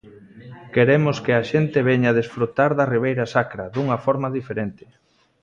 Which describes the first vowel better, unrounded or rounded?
unrounded